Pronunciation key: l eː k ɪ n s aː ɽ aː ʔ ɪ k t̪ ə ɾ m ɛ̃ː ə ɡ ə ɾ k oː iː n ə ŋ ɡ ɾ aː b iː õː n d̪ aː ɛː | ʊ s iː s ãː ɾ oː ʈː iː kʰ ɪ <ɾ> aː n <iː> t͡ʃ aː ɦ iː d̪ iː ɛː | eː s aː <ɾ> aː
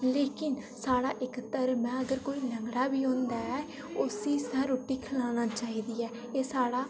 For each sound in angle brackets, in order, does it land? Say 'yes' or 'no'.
no, no, no

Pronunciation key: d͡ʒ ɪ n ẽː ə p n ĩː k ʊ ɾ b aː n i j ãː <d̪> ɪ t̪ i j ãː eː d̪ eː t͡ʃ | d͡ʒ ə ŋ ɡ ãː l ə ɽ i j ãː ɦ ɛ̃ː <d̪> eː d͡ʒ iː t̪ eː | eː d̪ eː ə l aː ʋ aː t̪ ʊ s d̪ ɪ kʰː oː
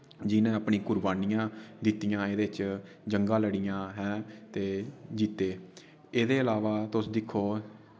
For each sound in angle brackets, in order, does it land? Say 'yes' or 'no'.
yes, no

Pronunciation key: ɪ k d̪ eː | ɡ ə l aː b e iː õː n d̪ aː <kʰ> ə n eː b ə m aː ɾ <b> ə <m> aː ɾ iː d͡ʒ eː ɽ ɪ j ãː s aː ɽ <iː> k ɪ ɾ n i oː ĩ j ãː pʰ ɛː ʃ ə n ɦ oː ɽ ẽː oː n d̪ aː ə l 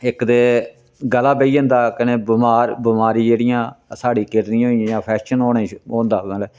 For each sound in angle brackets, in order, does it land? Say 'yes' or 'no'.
no, yes, yes, yes

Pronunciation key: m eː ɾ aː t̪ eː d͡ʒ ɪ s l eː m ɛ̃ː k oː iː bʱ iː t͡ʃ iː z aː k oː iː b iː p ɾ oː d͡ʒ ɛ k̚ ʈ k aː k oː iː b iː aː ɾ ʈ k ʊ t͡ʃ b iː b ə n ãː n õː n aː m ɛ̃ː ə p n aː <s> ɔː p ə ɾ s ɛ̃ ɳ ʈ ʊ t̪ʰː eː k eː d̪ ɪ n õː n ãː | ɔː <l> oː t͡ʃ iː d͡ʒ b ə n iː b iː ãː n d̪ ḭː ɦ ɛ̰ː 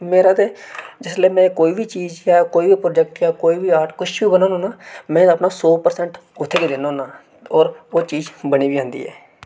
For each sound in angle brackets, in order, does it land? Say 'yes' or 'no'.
yes, no

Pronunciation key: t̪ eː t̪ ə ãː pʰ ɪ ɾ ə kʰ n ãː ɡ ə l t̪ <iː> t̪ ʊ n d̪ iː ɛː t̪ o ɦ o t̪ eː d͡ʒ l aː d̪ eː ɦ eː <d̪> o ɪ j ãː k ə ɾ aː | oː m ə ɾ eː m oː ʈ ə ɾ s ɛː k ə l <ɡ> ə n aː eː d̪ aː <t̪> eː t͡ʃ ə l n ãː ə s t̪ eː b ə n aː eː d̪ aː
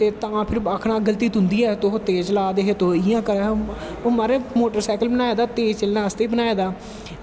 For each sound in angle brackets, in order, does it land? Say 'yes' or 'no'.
yes, no, no, yes

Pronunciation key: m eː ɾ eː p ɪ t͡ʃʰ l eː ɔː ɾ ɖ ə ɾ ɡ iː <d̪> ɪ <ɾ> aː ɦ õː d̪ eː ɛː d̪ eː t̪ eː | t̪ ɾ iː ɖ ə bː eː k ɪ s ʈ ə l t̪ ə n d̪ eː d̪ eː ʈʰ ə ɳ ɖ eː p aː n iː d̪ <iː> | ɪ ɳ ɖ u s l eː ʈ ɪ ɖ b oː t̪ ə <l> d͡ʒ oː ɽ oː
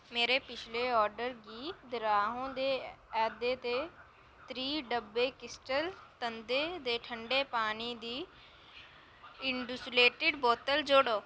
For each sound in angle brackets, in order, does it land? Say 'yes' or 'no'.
yes, yes, yes, yes

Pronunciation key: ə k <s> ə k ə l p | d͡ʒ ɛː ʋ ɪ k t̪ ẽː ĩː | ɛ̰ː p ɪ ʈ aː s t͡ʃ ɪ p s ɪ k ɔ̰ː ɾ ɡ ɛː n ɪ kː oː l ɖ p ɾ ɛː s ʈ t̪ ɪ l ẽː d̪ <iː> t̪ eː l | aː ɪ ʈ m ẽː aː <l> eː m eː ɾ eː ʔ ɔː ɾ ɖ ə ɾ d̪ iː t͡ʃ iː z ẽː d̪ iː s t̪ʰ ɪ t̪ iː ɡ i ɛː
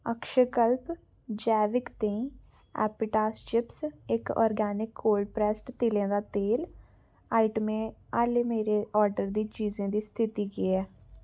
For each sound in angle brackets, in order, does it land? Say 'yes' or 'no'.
no, no, yes

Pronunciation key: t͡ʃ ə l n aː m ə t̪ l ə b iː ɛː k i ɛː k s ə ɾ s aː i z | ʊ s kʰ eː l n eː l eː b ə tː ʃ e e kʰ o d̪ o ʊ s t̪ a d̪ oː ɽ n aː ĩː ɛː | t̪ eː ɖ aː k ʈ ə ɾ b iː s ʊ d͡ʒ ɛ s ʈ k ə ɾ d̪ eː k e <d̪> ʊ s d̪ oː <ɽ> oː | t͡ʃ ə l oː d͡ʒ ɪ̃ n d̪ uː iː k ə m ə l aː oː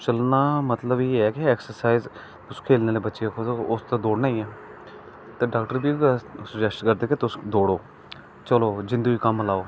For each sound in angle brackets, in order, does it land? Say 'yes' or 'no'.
no, yes

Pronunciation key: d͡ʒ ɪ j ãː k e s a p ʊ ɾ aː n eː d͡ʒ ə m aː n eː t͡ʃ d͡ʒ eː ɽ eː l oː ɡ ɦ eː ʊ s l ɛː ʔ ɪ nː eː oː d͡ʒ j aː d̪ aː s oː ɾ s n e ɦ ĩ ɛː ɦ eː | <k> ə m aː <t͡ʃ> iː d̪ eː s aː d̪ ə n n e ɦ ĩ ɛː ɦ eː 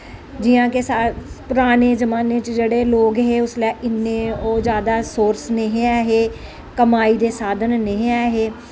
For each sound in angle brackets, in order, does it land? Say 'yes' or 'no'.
yes, no

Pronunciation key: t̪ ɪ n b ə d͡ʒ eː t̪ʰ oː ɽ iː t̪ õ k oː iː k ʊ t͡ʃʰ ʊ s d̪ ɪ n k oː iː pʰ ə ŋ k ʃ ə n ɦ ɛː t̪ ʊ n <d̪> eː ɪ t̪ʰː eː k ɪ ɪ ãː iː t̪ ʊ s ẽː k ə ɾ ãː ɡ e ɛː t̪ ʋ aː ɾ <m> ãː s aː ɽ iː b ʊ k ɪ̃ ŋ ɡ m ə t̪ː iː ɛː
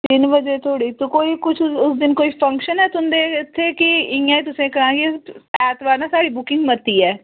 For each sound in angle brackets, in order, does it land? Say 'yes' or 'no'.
yes, no

